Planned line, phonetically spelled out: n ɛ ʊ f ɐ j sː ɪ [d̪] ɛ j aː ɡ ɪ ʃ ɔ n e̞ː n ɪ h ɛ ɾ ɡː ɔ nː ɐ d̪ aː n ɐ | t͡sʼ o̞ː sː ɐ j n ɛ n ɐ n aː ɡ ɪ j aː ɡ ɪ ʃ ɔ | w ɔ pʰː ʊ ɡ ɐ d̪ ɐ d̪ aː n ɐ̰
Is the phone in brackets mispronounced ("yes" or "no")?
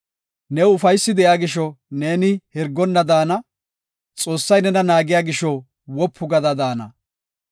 no